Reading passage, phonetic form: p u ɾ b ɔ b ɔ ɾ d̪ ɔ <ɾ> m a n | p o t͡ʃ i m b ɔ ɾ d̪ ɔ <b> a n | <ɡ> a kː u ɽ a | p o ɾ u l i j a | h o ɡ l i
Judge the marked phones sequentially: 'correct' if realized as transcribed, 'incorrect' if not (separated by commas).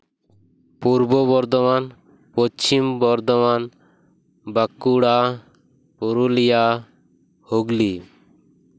incorrect, incorrect, incorrect